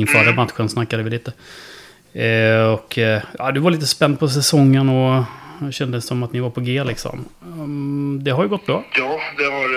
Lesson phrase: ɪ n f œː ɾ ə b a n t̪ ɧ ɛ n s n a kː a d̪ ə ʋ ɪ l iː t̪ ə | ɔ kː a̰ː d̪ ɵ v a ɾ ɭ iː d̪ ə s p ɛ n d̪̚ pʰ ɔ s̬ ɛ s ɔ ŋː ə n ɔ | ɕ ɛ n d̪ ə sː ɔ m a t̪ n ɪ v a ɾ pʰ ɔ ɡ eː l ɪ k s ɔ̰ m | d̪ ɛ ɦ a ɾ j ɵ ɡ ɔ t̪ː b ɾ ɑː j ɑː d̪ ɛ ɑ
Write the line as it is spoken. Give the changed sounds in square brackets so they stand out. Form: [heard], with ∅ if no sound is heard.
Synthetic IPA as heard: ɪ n f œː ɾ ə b a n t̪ ɧ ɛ n s n a kː a d̪ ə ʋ ɪ l iː t̪ ə | ɔ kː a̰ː d̪ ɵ v a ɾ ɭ iː [t̪] ə s p ɛ n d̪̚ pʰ ɔ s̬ ɛ s ɔ ŋː ə n ɔ | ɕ ɛ n d̪ ə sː ɔ m a t̪ n ɪ v a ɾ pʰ ɔ ɡ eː l ɪ k s ɔ̰ m | d̪ ɛ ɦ a ɾ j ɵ ɡ ɔ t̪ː b ɾ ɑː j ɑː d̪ ɛ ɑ